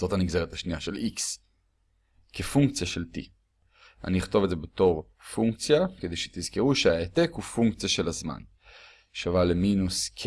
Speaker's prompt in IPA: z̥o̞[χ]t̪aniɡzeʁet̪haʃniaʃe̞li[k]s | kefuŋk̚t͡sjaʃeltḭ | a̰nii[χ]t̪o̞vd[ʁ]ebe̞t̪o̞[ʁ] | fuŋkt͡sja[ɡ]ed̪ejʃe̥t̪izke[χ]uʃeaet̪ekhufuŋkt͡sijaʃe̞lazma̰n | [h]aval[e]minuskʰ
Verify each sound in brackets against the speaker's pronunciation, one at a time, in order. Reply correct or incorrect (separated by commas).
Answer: incorrect, correct, correct, incorrect, correct, incorrect, incorrect, incorrect, correct